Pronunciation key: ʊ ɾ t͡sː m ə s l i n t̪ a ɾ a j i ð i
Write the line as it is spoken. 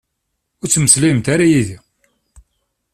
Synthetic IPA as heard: ʊ ɾ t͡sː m ə s l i m t̪ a ɾ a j i ð i